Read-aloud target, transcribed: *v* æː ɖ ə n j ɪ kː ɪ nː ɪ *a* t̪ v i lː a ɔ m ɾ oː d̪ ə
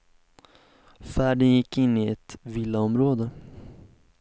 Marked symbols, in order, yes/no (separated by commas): no, no